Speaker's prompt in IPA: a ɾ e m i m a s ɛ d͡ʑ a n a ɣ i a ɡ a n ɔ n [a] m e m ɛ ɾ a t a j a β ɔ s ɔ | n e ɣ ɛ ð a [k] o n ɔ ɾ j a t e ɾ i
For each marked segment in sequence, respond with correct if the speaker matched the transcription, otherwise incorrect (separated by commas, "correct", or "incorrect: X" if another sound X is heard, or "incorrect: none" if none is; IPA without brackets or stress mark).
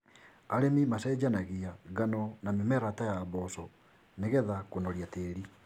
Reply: correct, correct